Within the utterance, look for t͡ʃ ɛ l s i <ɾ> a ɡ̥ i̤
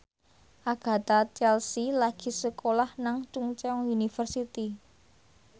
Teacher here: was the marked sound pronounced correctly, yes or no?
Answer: no